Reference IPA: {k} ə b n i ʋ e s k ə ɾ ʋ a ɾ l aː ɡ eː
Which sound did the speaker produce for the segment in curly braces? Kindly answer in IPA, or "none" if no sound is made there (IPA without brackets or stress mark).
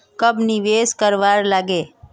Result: k